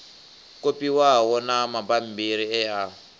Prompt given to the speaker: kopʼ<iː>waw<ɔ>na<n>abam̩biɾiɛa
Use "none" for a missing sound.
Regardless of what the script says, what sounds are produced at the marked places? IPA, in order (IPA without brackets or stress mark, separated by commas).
i, ɔ, m